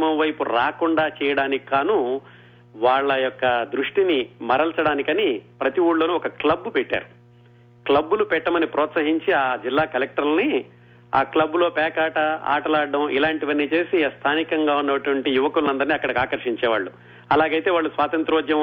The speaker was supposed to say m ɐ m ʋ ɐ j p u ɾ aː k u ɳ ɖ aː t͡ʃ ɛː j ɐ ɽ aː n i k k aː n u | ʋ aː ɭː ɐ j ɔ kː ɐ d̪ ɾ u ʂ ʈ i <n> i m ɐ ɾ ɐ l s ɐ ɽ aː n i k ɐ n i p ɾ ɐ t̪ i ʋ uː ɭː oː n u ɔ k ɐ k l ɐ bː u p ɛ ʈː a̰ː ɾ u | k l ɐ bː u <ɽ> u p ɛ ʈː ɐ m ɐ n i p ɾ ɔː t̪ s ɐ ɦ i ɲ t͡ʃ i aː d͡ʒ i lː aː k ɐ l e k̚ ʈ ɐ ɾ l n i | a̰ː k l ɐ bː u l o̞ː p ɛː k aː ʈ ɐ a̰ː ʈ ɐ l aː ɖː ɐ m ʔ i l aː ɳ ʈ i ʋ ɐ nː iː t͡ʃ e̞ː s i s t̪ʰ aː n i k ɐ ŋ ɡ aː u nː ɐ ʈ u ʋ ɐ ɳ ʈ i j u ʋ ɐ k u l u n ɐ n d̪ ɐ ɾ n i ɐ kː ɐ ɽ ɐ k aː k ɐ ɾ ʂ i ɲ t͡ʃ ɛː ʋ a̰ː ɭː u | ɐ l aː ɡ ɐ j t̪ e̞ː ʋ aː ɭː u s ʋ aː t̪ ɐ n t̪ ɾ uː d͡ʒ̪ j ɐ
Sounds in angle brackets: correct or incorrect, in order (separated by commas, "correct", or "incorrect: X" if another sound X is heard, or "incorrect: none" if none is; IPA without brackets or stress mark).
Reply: correct, incorrect: l